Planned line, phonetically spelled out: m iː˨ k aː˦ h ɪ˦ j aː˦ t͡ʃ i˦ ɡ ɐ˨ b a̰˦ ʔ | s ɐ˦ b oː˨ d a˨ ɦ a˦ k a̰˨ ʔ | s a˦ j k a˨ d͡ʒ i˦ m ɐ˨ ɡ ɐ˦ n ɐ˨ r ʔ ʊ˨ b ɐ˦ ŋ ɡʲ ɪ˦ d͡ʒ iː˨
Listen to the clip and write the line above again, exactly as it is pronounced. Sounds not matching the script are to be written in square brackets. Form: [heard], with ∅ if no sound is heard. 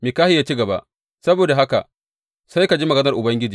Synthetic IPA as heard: m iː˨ k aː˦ h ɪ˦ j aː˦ t͡ʃ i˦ ɡ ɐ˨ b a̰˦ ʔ | s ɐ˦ b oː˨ d a˨ ɦ a˦ k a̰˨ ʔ | s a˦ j k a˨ d͡ʒ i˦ m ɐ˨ ɡ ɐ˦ n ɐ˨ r ʔ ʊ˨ b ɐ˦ ŋ ɡʲ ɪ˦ d͡ʒ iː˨